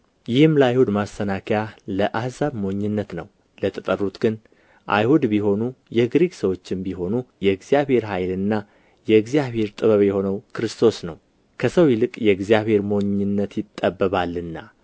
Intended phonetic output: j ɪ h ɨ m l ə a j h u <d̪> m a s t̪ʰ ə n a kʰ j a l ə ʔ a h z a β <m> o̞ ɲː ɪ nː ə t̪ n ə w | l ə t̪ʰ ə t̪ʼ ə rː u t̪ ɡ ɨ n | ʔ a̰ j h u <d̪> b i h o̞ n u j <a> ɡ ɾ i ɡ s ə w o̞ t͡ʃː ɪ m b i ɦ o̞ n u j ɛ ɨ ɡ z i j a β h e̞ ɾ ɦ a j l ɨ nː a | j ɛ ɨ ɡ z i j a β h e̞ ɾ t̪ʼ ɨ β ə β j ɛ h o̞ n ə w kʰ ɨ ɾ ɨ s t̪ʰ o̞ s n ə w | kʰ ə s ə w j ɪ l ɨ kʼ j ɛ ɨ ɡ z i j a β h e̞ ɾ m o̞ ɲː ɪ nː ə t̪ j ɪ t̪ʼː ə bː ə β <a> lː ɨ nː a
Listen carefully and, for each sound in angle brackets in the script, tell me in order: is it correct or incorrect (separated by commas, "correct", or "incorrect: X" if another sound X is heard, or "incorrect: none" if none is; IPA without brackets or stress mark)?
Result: correct, correct, correct, incorrect: ɛ, correct